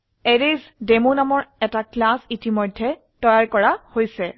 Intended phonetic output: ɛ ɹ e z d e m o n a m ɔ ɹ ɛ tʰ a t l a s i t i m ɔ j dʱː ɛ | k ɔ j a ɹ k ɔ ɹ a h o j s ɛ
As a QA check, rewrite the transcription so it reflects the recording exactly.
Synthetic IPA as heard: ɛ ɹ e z d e m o n a m ɔ ɹ ɛ t a k l a s i t i m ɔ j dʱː ɛ | t ɔ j a ɹ k ɔ ɹ a h o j s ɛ